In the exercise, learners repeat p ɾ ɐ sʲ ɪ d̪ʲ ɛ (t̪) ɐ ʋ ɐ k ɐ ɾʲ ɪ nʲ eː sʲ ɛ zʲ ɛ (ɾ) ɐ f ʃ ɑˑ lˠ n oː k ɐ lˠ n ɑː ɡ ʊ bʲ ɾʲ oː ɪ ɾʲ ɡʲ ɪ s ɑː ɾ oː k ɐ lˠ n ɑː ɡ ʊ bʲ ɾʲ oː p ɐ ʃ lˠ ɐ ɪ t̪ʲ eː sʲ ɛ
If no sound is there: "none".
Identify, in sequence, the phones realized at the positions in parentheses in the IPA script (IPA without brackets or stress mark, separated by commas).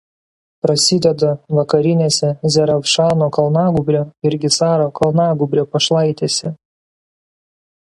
d̪, ɾ